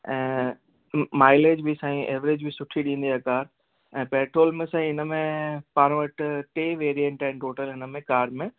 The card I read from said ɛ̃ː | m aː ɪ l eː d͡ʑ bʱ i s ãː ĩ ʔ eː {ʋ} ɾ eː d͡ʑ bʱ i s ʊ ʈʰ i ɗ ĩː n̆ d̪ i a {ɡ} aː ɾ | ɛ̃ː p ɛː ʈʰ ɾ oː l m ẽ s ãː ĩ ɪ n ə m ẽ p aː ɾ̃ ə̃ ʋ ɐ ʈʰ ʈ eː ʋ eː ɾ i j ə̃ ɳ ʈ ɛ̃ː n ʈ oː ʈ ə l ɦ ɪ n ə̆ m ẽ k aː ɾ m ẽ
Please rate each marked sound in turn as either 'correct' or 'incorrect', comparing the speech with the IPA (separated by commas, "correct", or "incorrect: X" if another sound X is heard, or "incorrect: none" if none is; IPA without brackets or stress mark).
correct, incorrect: k